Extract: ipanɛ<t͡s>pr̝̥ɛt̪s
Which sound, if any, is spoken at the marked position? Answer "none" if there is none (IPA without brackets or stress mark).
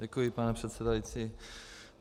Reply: none